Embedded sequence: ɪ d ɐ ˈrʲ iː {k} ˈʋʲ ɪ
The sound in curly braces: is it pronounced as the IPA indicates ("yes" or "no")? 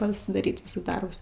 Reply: no